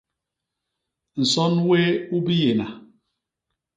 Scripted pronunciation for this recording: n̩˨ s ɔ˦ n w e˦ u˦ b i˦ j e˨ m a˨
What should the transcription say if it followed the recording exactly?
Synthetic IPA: n̩˨ s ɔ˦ n w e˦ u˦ b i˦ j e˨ n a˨